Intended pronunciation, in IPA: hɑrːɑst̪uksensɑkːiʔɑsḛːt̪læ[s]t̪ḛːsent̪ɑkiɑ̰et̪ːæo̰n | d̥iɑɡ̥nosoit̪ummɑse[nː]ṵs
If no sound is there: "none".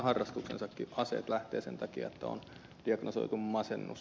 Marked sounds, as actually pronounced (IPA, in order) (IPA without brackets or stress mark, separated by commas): h, nː